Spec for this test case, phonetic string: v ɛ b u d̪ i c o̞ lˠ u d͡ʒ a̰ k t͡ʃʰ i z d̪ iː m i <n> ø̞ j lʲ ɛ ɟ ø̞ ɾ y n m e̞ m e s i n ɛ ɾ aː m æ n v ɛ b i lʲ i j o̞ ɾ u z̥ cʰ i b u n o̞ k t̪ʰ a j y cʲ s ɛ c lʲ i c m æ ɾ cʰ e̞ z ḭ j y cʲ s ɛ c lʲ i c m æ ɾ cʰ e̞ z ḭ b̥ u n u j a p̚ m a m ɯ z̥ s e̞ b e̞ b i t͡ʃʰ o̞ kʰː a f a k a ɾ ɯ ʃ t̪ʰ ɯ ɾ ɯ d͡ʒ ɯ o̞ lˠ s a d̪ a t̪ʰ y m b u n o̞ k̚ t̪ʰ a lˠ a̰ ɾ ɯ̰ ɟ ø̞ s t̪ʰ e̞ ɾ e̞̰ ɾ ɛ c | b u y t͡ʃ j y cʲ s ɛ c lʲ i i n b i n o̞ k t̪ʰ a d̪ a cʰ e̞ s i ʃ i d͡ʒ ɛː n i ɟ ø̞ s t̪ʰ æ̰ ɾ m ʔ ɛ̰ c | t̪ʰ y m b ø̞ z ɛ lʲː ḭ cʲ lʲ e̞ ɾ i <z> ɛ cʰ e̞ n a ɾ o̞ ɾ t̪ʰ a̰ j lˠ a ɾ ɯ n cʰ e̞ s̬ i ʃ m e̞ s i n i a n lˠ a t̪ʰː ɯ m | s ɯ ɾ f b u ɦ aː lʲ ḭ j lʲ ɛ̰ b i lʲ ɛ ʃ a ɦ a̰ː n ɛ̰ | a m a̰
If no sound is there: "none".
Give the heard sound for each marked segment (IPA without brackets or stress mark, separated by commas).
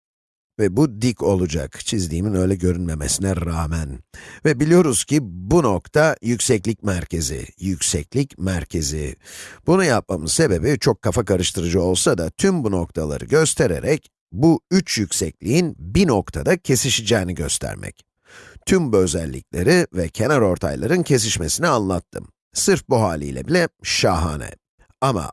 n, v